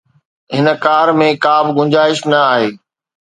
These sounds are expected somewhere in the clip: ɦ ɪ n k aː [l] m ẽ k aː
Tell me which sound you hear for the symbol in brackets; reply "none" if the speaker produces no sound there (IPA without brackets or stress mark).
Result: ɾ